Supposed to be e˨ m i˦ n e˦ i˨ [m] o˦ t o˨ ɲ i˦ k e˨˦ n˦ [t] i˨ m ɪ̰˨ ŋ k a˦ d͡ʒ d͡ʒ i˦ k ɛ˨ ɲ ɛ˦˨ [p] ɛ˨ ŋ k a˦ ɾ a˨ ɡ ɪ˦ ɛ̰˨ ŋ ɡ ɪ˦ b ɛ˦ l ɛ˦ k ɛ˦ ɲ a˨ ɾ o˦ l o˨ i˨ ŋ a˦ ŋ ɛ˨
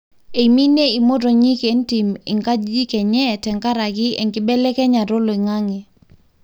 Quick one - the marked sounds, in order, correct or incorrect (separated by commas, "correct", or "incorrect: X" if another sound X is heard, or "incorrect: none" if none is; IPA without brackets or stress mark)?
correct, correct, incorrect: t